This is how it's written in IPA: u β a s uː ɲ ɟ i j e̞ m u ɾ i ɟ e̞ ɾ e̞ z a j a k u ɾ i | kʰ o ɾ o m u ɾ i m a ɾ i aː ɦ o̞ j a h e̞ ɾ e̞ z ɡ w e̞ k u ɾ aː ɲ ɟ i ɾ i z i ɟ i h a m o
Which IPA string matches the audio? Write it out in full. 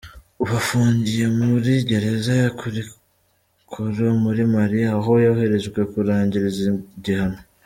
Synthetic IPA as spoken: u β a f uː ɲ ɟ i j e̞ m u ɾ i ɟ e̞ ɾ e̞ z a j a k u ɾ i | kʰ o ɾ o m u ɾ i m a ɾ i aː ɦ o̞ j a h e̞ ɾ e̞ z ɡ w e̞ k u ɾ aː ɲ ɟ i ɾ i z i ɟ i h a n o